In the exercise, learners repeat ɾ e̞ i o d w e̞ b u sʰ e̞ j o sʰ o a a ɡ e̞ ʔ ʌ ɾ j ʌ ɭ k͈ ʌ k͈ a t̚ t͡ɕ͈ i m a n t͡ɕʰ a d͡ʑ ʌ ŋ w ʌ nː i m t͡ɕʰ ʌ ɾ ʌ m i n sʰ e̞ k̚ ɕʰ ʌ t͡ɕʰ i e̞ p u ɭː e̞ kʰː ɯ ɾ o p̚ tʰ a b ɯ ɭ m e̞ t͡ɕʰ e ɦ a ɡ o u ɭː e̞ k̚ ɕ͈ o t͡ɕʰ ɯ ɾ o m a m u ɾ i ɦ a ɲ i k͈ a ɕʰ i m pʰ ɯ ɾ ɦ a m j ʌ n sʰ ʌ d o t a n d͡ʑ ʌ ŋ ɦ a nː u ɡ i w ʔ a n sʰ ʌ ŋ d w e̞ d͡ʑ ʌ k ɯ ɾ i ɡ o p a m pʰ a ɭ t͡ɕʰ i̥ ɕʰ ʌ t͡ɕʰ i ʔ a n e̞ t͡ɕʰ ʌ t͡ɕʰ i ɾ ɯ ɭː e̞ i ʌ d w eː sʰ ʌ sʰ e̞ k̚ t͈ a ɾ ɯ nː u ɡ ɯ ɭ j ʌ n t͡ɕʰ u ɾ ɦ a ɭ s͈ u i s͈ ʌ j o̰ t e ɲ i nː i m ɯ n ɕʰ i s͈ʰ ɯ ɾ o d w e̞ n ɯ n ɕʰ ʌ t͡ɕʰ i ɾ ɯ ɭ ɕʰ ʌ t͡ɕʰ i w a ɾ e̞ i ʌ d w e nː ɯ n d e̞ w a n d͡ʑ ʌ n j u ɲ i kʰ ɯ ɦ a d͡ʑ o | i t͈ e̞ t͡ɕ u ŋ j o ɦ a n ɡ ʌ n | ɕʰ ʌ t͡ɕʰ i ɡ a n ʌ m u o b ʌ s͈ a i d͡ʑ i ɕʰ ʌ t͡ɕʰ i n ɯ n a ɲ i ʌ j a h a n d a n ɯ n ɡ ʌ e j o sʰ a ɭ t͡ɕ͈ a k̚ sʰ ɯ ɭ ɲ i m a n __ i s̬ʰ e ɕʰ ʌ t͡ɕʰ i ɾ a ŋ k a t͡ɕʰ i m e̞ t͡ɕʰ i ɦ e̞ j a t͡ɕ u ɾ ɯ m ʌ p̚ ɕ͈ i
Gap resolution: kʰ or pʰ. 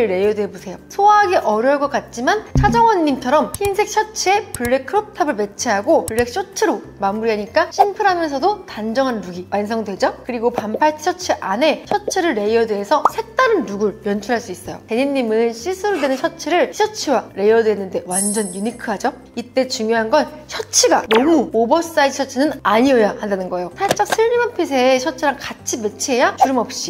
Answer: pʰ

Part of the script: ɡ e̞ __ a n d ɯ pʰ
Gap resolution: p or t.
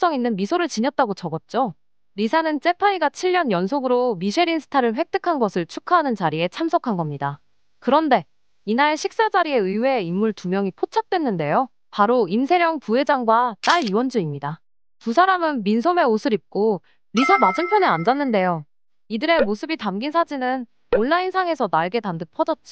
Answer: t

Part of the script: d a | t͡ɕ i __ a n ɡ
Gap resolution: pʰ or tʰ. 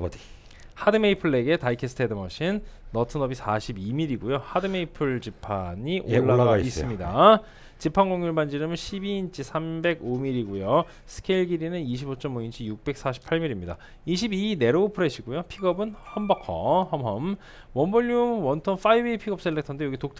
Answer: pʰ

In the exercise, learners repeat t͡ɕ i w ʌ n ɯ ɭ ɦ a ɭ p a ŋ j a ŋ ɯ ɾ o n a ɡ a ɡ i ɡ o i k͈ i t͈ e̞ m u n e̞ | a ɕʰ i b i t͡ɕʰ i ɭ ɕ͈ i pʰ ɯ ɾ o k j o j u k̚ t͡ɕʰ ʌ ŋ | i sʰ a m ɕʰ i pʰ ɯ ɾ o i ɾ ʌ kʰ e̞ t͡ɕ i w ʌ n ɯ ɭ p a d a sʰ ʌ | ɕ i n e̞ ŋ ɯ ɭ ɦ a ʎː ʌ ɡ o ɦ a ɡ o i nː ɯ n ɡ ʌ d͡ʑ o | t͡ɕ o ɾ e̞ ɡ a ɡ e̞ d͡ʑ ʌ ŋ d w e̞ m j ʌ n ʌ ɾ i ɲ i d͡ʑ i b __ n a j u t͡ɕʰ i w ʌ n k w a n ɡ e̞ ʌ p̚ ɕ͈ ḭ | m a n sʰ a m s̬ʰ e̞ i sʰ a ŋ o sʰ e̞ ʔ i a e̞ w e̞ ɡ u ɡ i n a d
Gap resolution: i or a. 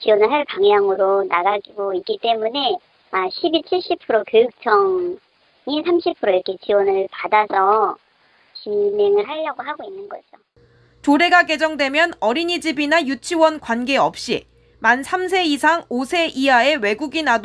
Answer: i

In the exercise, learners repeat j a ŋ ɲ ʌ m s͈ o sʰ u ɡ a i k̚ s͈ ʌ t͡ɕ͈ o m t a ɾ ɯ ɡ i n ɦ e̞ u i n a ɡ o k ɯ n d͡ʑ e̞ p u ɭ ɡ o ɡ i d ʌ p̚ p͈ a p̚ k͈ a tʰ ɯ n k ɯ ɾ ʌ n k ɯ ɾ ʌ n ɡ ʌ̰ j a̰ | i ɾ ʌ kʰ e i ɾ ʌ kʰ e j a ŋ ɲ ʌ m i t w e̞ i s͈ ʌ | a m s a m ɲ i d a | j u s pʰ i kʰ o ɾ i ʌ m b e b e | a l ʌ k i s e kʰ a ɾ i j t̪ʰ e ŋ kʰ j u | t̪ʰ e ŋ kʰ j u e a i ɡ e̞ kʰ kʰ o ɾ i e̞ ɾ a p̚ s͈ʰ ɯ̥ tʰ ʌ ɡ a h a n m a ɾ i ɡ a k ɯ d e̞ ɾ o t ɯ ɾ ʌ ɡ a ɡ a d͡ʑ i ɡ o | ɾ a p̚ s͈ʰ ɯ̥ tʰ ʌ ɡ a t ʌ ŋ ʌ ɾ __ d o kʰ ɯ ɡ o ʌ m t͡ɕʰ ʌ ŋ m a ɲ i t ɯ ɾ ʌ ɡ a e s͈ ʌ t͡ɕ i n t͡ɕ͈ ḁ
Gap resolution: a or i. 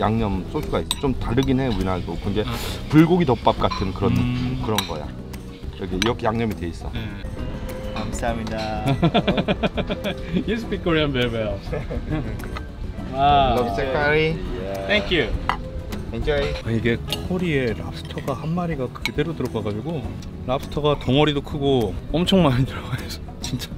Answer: i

